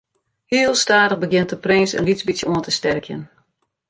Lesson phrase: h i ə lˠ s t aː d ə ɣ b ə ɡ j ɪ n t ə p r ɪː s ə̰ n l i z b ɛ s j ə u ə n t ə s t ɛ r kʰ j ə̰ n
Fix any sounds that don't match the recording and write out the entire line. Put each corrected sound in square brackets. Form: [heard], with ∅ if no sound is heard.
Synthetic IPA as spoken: h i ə lˠ s t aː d ə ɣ b ə ɡ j ɪ n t ə p r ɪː s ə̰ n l i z b [i] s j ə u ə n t ə s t ɛ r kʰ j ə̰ n

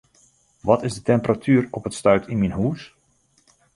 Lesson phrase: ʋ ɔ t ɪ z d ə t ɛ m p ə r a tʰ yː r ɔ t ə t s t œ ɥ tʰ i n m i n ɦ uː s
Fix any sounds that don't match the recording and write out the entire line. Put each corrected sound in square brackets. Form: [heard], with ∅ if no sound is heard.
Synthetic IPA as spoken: ʋ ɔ t ɪ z d ə t ɛ m p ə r a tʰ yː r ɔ [p] ə t s t œ ɥ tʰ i n m i n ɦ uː s

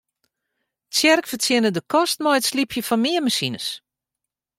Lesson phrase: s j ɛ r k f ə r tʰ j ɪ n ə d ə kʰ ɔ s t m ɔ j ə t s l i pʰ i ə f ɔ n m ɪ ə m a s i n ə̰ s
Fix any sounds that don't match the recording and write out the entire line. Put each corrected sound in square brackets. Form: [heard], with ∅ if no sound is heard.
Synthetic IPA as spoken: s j ɛ r k f ə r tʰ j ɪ n ə d ə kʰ ɔ s t m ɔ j ə t s l i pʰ [j] ə f ɔ n m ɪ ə m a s i n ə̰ s

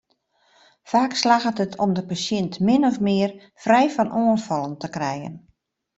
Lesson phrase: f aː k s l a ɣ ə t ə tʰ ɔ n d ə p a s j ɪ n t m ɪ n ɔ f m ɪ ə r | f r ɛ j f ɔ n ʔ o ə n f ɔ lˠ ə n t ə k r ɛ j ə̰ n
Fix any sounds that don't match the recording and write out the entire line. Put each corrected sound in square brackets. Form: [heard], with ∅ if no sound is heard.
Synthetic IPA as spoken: f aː k s l a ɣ ə t ə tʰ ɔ [m] d ə p a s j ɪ n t m ɪ n ɔ f m ɪ ə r | f r ɛ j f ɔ n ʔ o ə n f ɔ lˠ ə n t ə k r ɛ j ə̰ n

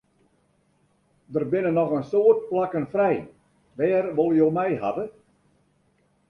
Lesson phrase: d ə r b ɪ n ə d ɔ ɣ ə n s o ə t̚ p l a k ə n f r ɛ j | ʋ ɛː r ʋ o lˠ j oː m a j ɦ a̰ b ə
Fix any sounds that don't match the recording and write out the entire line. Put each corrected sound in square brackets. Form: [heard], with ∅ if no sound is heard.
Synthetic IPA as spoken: d ə r b ɪ n ə [n] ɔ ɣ ə n s o ə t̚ p l a k ə n f r ɛ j | ʋ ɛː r ʋ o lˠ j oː m [ɛ] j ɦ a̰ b ə

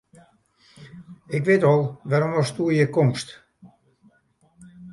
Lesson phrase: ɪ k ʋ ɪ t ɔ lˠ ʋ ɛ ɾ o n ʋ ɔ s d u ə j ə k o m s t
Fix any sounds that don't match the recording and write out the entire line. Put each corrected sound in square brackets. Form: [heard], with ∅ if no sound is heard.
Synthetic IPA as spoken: ɪ k ʋ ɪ t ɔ lˠ ʋ [a] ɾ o [m] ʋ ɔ s [t] u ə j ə k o m s t

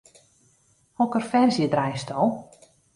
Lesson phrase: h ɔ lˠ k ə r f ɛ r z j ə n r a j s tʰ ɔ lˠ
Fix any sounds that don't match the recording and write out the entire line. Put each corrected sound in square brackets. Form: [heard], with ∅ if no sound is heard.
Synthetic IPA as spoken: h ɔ [∅] k ə r f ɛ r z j ə [d] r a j s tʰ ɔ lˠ

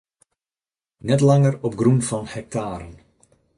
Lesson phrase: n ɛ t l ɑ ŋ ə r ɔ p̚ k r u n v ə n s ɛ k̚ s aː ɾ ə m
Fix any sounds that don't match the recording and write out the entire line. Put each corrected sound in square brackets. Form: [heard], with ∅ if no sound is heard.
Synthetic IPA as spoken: n ɛ t l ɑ ŋ ə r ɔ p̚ [ɡ] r u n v [ɑ] n [h] ɛ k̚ [t] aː ɾ ə [n]

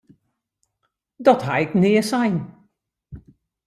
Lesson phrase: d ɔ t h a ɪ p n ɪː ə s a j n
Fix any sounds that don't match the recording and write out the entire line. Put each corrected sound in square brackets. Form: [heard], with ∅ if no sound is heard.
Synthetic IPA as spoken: d ɔ t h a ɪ [k] n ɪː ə s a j n

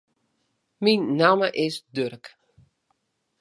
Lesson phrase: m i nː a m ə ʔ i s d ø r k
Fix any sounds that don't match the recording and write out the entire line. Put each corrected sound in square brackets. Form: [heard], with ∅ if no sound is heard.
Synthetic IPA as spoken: m i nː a m ə ʔ [ɪ] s d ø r k

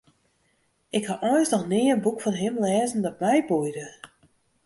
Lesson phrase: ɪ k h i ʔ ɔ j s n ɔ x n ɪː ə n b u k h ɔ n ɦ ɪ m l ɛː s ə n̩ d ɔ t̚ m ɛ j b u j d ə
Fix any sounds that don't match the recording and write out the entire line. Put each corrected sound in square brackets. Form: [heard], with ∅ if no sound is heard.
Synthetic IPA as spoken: ɪ k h [a] ʔ ɔ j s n ɔ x n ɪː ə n b u k [f] ɔ n ɦ ɪ m l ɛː [z] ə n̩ d ɔ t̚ m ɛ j b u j d ə

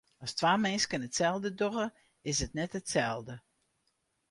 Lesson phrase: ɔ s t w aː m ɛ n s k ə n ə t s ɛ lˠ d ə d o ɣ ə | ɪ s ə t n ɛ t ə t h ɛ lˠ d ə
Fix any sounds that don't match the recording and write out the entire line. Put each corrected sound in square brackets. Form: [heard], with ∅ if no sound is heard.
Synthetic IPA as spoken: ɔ s t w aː m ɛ n s k ə n ə t s ɛ lˠ d ə d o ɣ ə | ɪ s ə t n ɛ t ə t [s] ɛ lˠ d ə

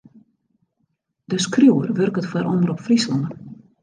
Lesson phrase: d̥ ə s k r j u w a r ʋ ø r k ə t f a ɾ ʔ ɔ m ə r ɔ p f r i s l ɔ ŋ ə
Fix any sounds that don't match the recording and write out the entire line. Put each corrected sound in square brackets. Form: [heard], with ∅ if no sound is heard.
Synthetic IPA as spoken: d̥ ə s k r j u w [ə] r ʋ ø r k ə t f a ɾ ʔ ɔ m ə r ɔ p f r i s l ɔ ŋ ə

